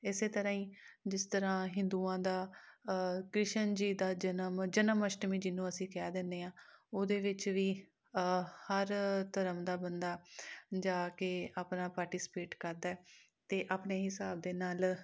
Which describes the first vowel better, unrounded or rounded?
unrounded